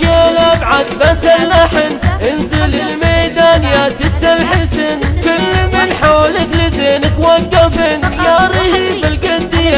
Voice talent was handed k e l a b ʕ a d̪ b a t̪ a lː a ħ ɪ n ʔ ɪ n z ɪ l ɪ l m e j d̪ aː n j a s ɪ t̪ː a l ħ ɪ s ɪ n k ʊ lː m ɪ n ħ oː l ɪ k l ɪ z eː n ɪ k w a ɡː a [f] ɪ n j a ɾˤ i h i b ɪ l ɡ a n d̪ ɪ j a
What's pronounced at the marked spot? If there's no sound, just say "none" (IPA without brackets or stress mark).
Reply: f